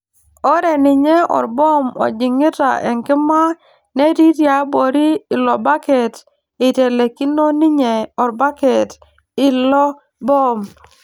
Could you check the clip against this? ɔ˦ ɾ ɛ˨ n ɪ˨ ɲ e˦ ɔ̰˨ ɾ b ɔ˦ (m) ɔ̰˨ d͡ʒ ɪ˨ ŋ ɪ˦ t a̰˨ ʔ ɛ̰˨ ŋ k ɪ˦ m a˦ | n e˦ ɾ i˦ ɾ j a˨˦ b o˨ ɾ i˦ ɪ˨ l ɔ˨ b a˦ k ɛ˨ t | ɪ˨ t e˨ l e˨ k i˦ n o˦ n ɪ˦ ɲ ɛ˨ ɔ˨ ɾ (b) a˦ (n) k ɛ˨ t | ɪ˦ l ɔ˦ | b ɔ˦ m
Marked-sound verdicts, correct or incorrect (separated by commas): correct, correct, incorrect